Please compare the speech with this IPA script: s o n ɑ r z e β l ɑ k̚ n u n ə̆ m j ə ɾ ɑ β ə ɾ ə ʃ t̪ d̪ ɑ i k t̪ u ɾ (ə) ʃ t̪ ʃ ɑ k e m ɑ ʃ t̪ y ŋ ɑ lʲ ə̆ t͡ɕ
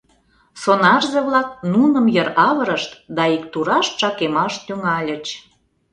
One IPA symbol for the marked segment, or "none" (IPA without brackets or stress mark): ɑ